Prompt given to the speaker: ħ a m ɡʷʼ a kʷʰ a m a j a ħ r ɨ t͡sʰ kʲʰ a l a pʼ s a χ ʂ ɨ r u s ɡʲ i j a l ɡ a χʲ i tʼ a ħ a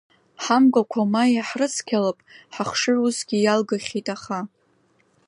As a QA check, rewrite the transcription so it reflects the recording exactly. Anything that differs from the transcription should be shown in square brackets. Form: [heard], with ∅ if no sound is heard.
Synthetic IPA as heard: ħ a m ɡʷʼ a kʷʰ a m a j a ħ r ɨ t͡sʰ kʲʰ a l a pʼ [ħ] a χ ʂ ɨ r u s ɡʲ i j a l ɡ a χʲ i tʼ a [χ] a